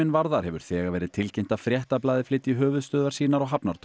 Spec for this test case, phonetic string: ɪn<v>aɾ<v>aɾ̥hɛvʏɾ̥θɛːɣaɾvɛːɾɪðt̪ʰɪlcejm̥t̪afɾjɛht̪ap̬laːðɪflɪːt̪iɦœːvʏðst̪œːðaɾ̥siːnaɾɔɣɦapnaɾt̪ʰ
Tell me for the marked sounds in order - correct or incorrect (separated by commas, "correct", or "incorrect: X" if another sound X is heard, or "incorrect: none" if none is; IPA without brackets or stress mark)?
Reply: correct, incorrect: ð